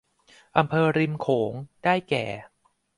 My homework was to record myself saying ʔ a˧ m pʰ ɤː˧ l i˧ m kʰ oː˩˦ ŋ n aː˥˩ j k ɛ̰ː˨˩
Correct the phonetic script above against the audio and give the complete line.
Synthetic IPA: ʔ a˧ m pʰ ɤː˧ ɾ i˧ m kʰ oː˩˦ ŋ d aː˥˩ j k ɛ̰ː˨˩